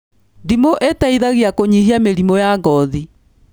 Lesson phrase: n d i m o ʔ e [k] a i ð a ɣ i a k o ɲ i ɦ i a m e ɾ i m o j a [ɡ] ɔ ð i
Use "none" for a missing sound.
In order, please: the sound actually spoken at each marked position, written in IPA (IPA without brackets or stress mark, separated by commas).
t, ɡ